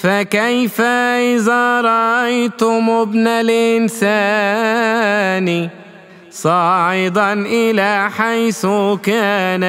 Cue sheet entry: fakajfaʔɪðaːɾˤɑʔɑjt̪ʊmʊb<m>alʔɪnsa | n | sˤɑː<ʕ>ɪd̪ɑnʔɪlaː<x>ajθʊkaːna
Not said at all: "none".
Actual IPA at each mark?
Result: n, ʕ, ħ

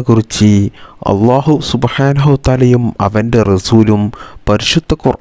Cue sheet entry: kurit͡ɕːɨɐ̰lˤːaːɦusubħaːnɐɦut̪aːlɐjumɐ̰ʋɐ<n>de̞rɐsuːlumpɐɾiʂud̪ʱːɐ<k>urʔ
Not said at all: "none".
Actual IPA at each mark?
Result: n, k

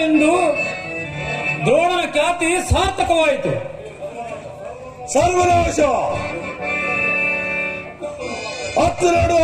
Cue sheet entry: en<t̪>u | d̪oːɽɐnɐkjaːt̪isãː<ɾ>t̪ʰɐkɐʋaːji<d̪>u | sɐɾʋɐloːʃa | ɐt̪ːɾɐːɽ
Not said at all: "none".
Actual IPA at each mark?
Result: d̪, ɾ, t̪

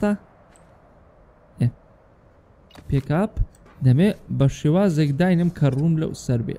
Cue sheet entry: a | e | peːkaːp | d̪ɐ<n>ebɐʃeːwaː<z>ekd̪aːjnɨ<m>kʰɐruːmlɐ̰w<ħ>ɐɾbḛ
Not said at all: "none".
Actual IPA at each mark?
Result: m, z, m, s

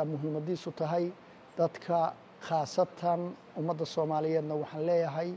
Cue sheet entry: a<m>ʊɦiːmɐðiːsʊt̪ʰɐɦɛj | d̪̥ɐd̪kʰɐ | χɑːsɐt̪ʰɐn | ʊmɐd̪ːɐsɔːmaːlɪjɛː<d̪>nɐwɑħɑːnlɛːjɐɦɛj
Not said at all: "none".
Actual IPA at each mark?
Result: m, d̪

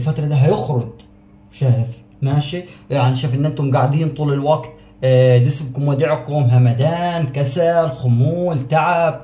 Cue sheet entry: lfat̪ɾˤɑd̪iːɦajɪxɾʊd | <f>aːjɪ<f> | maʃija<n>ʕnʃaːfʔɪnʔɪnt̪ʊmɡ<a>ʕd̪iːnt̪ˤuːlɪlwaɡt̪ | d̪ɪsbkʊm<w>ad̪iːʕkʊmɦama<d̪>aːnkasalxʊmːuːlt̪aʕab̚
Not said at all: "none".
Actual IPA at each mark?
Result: ʃ, f, none, a, w, d̪

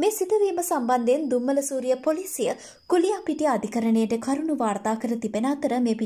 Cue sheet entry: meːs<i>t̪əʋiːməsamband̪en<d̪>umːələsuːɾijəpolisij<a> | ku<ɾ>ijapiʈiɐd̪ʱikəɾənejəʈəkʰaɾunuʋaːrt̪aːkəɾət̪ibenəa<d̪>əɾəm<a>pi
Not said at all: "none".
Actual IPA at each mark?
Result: i, d̪, ə, l, t̪, e

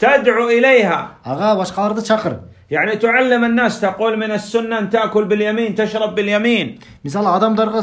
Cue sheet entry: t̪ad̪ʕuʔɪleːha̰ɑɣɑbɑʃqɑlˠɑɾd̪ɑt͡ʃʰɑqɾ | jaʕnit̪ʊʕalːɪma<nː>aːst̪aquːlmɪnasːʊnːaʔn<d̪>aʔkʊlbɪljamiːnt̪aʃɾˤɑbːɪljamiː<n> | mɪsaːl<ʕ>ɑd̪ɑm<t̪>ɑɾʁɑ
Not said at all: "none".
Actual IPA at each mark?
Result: nː, t̪, n, ʕ, d̪

